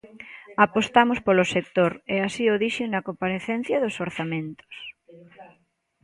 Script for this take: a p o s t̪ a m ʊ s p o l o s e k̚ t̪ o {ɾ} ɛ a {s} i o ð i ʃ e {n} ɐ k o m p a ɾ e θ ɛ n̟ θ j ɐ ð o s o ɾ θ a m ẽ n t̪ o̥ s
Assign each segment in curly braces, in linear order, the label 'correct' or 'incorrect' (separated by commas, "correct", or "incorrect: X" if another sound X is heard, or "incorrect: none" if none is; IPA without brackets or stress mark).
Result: correct, correct, correct